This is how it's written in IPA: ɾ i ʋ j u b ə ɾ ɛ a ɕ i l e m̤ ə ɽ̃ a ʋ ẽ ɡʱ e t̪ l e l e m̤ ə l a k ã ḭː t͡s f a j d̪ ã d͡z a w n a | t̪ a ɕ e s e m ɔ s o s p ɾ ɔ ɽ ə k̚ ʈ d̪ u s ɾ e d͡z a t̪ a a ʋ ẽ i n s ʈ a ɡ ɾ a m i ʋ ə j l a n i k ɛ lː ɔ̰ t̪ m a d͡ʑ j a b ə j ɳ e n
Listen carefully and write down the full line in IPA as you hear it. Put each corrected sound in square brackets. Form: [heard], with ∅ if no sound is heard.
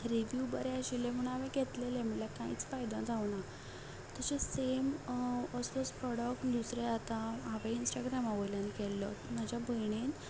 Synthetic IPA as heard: ɾ i ʋ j u b ə ɾ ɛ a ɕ i l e m̤ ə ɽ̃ a ʋ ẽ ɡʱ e t̪ l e l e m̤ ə l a k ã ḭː t͡s f a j d̪ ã d͡z a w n a | t̪ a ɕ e s e m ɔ s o s p ɾ ɔ ɽ ə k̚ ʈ d̪ u s ɾ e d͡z a t̪ a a ʋ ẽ i n s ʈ a ɡ ɾ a m [a] ʋ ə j l a n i k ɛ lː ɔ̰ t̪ m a d͡ʑ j a b ə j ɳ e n